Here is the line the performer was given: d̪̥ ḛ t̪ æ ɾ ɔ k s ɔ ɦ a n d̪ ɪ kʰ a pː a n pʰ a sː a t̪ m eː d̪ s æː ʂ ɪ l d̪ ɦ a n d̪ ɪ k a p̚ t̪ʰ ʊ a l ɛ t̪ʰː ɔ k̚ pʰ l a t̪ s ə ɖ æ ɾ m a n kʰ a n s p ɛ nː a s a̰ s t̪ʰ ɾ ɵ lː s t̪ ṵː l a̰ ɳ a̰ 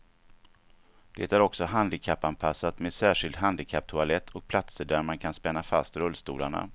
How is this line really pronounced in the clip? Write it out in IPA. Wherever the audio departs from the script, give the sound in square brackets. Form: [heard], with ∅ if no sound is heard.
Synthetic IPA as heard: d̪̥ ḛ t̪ æ ɾ ɔ k s ɔ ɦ a n d̪ ɪ kʰ a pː a n pʰ a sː a t̪ m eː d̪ s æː ʂ ɪ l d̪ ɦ a n d̪ ɪ [kʰ] a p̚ t̪ʰ ʊ a l ɛ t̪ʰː ɔ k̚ pʰ l a t̪ s ə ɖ æ ɾ m a n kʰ a n s p ɛ nː a [f] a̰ s [t̪] ɾ ɵ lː s t̪ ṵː l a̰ ɳ a̰

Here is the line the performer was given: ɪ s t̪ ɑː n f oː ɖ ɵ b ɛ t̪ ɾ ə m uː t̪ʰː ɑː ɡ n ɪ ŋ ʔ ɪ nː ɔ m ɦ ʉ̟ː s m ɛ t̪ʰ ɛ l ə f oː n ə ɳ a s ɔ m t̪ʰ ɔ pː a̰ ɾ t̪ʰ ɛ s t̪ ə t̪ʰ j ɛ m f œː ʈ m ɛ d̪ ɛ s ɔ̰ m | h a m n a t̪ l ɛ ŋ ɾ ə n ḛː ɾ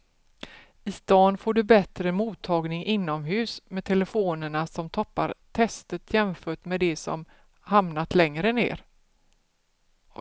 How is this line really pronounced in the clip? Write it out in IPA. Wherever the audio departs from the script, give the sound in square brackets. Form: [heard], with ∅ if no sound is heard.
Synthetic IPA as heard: ɪ s t̪ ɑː n f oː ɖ ɵ b ɛ t̪ ɾ ə m uː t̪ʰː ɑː ɡ n ɪ ŋ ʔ ɪ nː ɔ m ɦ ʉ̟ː s m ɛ t̪ʰ ɛ l ə f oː n ə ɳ a s ɔ m t̪ʰ ɔ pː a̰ ɾ t̪ʰ ɛ s t̪ ə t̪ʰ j ɛ m f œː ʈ m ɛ d̪ ɛ s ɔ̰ m | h a m n a t̪ l ɛ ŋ ɾ ə n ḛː ɾ

